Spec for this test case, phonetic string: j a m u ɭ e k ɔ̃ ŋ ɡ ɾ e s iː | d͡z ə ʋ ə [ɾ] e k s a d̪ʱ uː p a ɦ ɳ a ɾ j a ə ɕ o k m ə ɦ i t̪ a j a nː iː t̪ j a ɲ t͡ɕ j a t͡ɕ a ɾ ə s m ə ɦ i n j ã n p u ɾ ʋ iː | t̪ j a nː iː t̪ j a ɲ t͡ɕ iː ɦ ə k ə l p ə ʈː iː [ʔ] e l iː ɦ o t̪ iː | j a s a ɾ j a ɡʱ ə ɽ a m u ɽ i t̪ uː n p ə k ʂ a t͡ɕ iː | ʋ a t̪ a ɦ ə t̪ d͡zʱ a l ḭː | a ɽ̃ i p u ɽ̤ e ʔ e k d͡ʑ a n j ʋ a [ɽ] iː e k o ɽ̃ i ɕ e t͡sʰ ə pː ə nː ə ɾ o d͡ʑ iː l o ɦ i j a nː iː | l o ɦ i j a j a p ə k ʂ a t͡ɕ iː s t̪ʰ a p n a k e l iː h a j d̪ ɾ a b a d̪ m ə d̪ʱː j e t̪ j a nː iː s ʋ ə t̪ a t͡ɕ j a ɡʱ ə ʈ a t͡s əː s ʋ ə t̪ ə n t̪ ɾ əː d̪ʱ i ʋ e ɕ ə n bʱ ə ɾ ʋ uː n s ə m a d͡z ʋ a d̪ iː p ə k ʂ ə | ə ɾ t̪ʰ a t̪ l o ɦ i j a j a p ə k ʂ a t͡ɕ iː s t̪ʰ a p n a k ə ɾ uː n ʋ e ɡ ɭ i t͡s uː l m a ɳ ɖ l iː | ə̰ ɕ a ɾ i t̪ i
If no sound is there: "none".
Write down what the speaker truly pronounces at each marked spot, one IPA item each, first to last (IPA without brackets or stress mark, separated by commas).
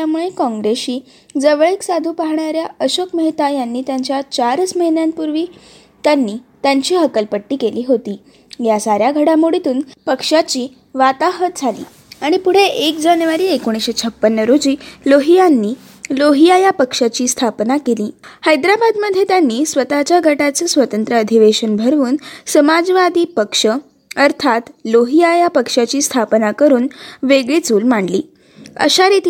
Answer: ɭ, k, ɾ